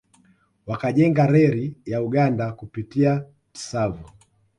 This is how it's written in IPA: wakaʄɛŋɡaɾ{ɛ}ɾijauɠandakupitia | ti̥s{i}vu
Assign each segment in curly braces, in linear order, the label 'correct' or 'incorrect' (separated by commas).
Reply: correct, incorrect